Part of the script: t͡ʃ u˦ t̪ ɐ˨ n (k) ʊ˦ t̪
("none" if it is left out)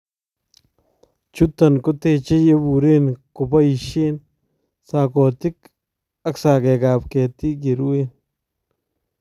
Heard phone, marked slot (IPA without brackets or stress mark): k